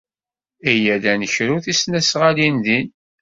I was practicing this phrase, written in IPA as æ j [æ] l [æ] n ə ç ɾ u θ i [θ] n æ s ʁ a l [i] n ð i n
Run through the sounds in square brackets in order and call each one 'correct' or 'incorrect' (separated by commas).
correct, correct, incorrect, correct